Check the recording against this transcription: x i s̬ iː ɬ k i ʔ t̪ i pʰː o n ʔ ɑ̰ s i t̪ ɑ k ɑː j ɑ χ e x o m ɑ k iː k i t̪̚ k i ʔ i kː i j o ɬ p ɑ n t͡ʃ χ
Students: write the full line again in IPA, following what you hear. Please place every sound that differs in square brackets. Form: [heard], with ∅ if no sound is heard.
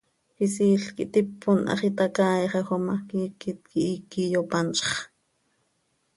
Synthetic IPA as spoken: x i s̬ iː ɬ k i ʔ t̪ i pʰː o n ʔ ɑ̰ [χ] i t̪ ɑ k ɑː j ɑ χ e x o m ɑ k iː k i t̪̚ k i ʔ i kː i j o [∅] p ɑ n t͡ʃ χ

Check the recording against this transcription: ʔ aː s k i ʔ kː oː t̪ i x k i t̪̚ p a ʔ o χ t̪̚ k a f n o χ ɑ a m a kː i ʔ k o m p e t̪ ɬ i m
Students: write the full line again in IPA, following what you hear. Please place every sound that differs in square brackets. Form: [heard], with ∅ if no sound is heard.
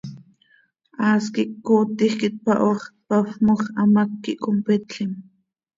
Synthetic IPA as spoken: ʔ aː s k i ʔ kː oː t̪ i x k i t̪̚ p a ʔ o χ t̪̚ [p] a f [m] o χ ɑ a m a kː i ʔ k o m p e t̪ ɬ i m

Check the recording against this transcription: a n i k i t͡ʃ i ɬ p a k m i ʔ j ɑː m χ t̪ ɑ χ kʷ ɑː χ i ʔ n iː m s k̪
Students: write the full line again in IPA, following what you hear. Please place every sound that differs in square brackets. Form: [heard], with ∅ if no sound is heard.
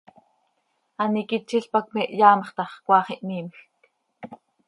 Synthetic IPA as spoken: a n i k i t͡ʃ i ɬ p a k m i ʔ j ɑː m χ t̪ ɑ χ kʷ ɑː χ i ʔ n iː m [x] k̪

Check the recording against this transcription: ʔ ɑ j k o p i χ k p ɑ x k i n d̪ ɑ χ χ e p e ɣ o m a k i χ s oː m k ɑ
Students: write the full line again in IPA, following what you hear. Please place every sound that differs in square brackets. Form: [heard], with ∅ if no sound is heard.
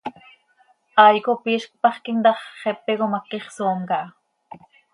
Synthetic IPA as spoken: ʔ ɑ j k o p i [ʃ] k p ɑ [χ] k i n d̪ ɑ χ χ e p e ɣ o m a k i χ s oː m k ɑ

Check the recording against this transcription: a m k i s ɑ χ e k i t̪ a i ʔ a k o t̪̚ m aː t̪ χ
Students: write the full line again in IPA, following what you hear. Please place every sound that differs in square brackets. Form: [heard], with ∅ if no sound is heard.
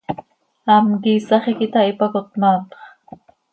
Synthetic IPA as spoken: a m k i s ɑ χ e k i t̪ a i [p] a k o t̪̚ m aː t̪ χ

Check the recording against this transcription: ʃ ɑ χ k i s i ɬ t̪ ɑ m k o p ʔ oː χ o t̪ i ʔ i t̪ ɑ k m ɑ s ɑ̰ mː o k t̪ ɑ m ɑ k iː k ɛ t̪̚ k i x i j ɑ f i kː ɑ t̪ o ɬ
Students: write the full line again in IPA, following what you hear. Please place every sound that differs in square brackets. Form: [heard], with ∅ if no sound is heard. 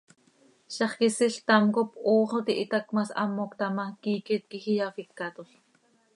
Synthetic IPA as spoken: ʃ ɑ χ k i s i ɬ t̪ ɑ m k o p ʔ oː χ o t̪ i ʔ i t̪ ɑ k m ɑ s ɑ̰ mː o k t̪ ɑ m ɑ k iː k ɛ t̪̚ k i x i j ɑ f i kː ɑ t̪ o ɬ

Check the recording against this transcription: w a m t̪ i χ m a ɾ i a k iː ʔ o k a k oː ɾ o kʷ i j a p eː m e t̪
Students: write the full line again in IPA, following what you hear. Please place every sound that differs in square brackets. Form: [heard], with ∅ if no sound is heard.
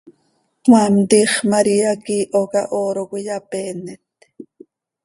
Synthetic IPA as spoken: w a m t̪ i χ m a ɾ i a k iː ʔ o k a [ʔ] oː ɾ o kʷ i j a p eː [n] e t̪

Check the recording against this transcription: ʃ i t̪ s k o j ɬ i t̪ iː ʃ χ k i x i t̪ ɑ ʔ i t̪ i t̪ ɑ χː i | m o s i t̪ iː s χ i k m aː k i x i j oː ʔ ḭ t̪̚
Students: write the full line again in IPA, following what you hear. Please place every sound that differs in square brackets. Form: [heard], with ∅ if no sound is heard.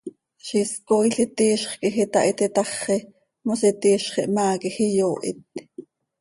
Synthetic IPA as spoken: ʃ i [∅] s k o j ɬ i t̪ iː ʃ χ k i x i t̪ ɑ ʔ i t̪ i t̪ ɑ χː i | m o s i t̪ iː [ʃ] χ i [ʔ] m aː k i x i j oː ʔ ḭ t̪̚

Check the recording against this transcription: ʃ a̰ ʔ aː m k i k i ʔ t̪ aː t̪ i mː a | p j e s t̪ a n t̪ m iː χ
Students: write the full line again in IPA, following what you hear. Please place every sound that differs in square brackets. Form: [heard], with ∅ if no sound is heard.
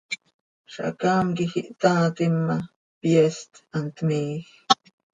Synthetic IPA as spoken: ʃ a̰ [k] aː m k i [x] i ʔ t̪ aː t̪ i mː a | p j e s t̪ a n t̪ m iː [x]

